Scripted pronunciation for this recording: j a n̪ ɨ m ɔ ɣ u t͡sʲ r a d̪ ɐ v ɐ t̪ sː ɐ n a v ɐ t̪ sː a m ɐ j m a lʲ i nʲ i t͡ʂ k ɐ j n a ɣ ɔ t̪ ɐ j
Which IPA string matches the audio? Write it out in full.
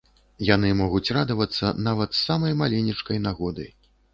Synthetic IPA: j a n̪ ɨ m ɔ ɣ u t͡sʲ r a d̪ ɐ v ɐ t̪ sː ɐ n a v ɐ t̪ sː a m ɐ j m a lʲ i nʲ i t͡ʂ k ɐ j n a ɣ ɔ d̪ ɐ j